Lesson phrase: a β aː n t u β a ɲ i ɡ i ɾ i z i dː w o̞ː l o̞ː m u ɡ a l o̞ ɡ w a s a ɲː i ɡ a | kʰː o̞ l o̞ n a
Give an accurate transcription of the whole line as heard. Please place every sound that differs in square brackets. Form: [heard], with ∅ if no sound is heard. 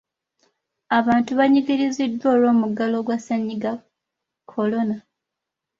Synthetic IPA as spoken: a β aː n t u β a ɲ i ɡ i ɾ i z i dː w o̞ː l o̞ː m u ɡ a l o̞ ɡ w a s a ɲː i ɡ a | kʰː o̞ l o̞ n a